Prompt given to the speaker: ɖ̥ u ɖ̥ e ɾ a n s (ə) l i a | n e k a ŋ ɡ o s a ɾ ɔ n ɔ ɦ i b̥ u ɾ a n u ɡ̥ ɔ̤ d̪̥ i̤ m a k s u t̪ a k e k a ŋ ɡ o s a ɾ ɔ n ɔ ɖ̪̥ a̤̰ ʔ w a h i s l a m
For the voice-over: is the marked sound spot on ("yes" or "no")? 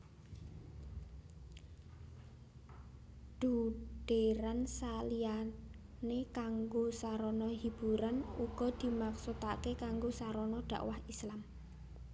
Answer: no